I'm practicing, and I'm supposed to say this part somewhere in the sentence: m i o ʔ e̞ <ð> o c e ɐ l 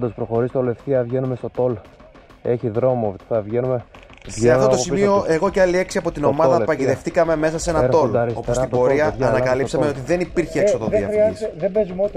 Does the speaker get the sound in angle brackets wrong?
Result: yes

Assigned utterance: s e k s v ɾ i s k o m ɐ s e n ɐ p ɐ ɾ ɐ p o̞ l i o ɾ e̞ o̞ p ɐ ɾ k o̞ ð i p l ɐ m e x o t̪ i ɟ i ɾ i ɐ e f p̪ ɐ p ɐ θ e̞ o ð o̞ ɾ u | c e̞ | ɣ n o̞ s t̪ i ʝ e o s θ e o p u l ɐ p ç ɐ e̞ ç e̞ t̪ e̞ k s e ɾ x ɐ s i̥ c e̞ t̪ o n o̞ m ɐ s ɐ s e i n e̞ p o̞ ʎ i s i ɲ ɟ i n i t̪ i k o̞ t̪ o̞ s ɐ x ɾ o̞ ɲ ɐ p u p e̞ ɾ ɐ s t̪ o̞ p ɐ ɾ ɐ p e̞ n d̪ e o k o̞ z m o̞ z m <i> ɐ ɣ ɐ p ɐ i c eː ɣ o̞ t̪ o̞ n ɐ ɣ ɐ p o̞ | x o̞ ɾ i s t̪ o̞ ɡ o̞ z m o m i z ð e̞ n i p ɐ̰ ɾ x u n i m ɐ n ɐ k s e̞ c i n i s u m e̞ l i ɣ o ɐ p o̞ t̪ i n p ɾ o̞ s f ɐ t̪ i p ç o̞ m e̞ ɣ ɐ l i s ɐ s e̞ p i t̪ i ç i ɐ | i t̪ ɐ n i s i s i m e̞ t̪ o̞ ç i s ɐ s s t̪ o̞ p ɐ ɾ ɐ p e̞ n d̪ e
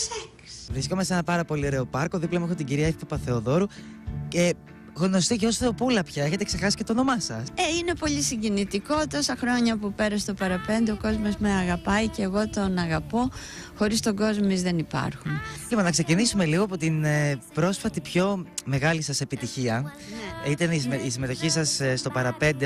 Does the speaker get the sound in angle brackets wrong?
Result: yes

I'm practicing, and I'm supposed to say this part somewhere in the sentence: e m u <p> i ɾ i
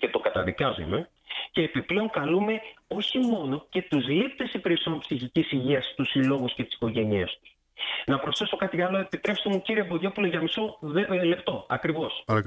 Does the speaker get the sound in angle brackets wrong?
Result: yes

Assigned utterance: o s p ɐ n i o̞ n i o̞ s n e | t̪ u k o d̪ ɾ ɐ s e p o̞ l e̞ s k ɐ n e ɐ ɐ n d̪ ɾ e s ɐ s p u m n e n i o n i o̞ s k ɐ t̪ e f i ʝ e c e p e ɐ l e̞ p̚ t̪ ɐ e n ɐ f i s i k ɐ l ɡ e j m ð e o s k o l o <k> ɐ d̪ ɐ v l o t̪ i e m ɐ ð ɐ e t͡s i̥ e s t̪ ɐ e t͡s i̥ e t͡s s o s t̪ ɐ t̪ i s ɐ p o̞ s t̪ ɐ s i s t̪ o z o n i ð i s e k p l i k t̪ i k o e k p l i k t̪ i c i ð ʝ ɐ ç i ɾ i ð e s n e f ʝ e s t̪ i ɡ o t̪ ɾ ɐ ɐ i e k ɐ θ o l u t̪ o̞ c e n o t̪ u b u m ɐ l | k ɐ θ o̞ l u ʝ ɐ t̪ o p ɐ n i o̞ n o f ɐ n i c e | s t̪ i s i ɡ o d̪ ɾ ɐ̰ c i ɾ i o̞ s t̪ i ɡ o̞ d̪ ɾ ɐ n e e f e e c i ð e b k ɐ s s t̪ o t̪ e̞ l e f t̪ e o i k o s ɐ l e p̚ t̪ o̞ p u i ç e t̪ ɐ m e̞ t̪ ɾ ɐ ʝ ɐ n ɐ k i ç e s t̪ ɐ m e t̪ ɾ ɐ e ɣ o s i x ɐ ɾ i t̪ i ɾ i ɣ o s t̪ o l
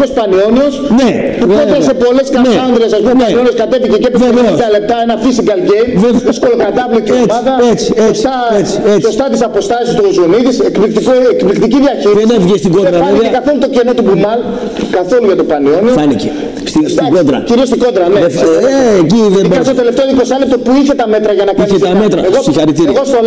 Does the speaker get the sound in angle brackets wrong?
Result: no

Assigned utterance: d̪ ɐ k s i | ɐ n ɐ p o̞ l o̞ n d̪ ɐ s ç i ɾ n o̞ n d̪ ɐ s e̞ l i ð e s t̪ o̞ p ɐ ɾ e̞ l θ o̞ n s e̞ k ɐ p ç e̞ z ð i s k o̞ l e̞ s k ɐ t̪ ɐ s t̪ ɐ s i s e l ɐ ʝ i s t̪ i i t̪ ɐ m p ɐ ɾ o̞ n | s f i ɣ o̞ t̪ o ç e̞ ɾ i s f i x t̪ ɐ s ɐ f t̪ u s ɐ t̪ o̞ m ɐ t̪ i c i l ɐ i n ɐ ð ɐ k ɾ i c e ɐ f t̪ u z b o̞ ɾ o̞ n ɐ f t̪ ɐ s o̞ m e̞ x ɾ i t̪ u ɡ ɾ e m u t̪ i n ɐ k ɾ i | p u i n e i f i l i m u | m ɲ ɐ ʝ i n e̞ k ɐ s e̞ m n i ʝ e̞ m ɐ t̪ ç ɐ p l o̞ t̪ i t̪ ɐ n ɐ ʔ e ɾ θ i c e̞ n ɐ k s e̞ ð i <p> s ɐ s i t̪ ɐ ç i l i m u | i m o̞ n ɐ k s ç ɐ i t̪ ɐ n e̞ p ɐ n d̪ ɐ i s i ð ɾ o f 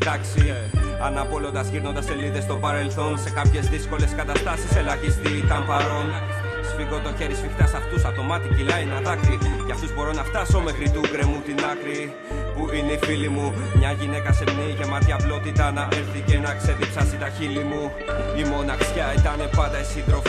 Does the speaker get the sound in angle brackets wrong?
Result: no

